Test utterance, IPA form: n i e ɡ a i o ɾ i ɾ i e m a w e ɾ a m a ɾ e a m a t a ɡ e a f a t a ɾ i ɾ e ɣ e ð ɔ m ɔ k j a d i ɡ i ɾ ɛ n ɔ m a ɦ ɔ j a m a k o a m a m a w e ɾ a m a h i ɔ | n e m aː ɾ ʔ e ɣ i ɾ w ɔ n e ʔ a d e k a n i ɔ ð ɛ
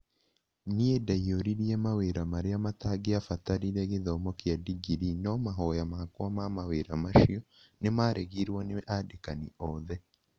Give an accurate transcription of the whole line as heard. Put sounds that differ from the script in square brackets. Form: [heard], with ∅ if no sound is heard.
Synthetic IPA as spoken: n i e [d] a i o ɾ i ɾ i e m a w e ɾ a m a ɾ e a m a t a ɡ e a f a t a ɾ i ɾ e ɣ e ð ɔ m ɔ k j a d i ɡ i ɾ [i] n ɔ m a ɦ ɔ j a m a k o a m a m a w e ɾ a m a [ʃ] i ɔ | n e m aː ɾ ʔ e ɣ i ɾ w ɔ n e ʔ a d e k a n i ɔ ð ɛ